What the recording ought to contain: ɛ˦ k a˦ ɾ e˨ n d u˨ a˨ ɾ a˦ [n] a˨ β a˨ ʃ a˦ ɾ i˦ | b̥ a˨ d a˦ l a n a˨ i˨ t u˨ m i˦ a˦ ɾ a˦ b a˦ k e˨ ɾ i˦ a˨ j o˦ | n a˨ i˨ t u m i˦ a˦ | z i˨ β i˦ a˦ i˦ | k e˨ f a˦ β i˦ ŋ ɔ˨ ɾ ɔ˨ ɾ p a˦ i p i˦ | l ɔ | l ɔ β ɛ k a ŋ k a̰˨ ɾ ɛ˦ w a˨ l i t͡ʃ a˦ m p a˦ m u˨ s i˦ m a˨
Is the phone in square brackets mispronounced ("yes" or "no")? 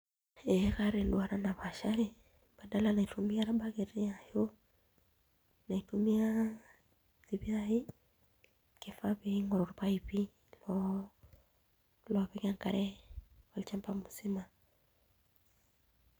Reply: no